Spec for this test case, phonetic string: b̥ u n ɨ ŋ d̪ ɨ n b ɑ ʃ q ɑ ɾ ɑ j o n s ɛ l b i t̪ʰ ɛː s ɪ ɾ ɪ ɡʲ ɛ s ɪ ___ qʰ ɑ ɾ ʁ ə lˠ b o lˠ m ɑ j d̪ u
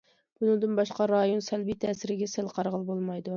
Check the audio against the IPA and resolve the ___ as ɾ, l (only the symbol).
l